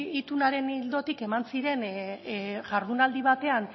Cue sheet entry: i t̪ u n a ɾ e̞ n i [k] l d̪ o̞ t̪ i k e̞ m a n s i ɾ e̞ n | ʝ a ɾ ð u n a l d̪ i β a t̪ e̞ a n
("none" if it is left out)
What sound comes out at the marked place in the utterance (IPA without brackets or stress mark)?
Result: none